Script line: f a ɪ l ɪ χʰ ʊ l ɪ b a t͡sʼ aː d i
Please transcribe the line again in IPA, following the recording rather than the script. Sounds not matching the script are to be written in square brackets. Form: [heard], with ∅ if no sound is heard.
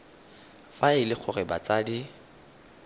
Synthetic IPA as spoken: f a ɪ l ɪ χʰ ʊ [r] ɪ b a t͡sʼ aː d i